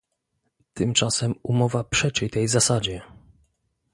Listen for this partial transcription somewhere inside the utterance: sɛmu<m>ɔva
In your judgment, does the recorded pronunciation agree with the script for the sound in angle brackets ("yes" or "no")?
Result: yes